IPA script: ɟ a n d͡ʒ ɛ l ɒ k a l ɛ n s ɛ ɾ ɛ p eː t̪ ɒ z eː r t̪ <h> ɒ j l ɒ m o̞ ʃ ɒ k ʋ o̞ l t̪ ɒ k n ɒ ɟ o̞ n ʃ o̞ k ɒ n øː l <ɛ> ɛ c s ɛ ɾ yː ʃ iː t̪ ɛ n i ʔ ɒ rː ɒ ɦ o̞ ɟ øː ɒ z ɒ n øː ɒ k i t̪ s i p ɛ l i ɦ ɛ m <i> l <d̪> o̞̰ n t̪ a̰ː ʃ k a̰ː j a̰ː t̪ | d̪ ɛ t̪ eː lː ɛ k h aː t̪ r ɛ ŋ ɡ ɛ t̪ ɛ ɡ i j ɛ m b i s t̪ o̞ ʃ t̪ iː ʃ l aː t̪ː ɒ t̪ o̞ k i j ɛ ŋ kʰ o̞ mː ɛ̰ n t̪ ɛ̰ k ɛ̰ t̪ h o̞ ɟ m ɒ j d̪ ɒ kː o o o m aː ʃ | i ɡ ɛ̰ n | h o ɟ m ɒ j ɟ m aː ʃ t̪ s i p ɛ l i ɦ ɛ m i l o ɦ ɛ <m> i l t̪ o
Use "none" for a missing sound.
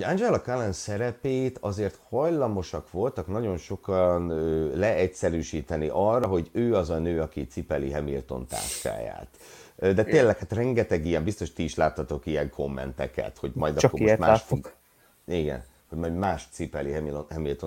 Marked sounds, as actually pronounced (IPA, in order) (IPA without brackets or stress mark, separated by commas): h, ɛ, i, t̪, m